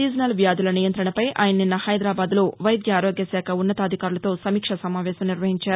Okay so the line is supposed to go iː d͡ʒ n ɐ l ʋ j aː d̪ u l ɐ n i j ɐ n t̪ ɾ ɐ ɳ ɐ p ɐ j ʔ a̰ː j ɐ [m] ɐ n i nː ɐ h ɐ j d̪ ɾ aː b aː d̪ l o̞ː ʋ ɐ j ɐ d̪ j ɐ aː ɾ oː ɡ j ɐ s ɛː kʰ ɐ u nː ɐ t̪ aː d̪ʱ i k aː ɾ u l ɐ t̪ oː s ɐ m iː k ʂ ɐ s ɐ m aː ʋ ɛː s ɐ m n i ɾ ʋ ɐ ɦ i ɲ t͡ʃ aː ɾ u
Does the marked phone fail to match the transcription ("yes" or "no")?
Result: yes